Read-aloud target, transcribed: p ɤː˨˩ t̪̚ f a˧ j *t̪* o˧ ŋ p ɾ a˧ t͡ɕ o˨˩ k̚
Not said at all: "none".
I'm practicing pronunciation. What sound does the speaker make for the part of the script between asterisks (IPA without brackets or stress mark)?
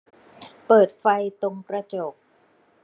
t̪